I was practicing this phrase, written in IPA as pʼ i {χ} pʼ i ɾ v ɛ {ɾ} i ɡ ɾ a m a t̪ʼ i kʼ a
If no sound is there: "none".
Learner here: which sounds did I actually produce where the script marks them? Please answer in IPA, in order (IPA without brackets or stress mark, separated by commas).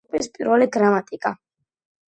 s, l